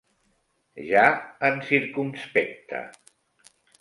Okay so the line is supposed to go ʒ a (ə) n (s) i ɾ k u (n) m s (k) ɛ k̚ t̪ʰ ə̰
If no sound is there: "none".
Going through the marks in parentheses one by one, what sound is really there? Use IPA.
ə, s, none, p

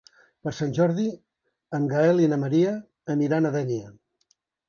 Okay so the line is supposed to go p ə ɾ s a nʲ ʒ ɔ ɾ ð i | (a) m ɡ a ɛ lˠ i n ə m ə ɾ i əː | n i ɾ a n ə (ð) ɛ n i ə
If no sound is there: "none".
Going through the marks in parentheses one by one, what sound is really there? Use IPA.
ə, ð

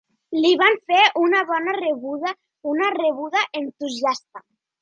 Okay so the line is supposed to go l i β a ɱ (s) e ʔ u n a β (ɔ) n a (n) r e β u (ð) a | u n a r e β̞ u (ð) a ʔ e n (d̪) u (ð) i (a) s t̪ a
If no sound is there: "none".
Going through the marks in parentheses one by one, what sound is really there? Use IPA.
f, ɔ, none, ð, ð, t̪, z, a

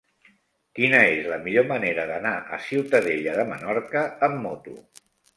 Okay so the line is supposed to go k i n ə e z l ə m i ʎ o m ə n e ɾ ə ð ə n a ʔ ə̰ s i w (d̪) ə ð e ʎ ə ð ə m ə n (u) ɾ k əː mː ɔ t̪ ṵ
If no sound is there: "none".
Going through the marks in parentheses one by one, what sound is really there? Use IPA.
t̪, ɔ

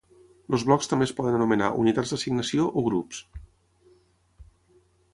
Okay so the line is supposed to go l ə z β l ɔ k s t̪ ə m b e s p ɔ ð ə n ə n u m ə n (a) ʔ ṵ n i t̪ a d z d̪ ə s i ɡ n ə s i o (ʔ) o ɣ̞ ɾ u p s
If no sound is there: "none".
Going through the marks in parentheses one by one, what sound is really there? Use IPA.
a, ʔ

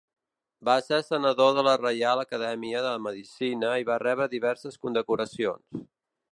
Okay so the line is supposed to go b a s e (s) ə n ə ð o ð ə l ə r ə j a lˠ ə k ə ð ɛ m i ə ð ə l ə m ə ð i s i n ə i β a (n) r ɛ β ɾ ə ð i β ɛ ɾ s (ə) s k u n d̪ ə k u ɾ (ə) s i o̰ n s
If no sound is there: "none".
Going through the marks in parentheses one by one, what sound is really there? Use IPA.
s, none, ə, ə

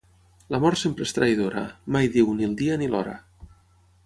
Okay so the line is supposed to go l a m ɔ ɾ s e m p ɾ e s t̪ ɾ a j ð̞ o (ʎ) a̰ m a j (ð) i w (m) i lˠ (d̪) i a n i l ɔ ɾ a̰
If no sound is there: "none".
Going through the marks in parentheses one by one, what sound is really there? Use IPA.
ɾ, ð, n, d̪

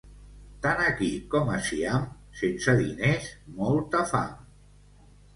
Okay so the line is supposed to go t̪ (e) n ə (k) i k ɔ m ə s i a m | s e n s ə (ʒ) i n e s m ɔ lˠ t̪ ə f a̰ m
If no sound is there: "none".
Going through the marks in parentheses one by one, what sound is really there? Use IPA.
a, k, ð

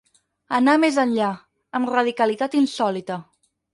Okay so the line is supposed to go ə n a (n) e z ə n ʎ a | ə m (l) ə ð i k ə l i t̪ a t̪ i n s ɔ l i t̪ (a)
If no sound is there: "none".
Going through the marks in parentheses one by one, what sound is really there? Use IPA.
m, r, ə

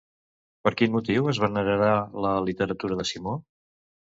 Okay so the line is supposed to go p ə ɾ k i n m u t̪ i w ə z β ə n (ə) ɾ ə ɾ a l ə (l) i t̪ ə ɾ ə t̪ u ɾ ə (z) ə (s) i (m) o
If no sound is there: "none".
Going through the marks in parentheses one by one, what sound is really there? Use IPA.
ə, l, ð, s, m

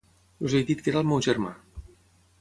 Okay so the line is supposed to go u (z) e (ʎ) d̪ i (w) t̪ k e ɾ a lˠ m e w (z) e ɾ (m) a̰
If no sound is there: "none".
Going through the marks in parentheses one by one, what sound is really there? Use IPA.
z, j, none, ʒ, m

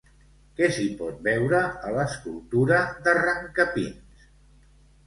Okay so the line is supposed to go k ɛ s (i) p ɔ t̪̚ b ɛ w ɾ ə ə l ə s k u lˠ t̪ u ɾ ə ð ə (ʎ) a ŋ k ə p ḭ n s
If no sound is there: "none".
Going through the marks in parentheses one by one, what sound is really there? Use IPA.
i, r

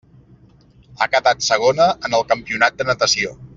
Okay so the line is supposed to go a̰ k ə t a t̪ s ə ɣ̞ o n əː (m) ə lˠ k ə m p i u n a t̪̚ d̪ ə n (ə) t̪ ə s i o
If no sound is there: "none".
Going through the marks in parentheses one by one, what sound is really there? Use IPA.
n, ə

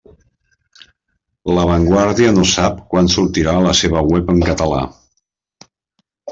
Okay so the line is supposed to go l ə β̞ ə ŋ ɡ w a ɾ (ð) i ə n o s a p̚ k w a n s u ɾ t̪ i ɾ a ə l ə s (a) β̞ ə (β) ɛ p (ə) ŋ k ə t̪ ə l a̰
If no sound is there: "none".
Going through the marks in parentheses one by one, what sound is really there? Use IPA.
ð, e, w, ə

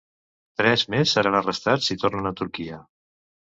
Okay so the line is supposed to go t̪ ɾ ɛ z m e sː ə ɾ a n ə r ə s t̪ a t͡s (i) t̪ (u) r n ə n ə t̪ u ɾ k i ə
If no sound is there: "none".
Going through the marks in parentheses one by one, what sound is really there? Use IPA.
i, o

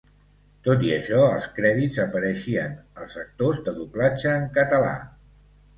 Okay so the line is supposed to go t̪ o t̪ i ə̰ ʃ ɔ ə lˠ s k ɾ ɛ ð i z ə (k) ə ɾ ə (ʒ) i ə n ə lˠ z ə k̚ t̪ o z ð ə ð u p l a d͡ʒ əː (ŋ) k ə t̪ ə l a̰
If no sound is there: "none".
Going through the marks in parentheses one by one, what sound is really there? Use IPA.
p, ʃ, ŋ

